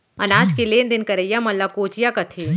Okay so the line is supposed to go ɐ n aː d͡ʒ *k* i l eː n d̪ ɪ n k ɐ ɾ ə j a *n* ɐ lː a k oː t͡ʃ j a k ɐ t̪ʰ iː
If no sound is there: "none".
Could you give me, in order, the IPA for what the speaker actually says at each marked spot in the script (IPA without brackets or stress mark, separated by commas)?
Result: k, m